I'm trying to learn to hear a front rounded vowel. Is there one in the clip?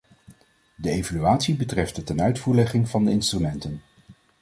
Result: yes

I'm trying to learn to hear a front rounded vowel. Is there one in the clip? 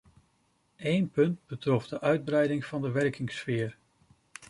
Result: yes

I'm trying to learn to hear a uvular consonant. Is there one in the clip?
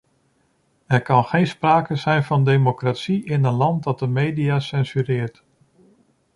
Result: yes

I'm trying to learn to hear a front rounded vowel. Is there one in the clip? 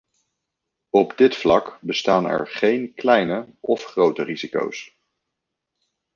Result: no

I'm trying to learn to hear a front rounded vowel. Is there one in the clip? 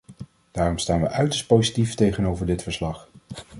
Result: yes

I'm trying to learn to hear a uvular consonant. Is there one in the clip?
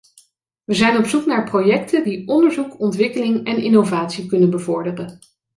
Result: no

